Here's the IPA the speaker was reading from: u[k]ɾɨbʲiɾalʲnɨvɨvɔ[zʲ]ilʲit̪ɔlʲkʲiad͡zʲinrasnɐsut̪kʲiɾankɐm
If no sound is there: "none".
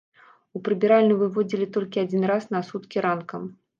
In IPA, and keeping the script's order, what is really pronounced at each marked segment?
p, d͡zʲ

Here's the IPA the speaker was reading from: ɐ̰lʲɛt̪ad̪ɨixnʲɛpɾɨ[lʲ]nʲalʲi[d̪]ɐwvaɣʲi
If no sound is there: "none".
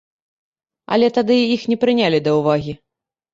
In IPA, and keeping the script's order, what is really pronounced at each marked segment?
none, d̪

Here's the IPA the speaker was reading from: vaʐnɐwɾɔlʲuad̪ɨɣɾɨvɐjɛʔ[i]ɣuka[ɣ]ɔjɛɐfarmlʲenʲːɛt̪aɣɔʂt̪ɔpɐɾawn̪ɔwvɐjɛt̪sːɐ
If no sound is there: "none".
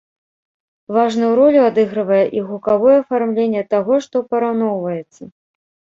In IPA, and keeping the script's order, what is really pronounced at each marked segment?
i, v

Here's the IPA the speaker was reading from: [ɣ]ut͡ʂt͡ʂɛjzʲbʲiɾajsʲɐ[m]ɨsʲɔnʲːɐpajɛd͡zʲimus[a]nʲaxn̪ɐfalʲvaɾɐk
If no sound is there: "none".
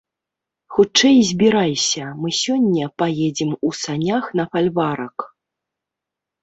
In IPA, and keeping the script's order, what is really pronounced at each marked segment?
x, m, a

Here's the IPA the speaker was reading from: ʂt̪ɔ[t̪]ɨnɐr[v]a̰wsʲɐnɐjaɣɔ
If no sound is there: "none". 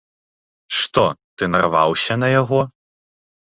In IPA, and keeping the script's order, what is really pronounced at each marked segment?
t̪, v

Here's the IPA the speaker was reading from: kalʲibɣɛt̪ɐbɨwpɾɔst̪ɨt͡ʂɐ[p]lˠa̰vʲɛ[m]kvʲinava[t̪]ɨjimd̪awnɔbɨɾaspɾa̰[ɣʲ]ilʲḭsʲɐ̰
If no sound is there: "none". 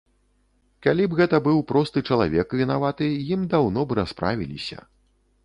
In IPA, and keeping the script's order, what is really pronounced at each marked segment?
none, none, t̪, vʲ

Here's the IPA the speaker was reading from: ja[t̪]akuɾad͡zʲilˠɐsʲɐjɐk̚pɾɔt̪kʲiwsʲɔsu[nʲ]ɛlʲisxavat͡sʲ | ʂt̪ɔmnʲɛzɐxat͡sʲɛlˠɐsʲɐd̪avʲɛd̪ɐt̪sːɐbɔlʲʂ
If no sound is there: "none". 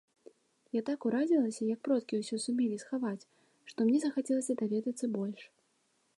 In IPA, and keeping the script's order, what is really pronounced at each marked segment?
t̪, mʲ

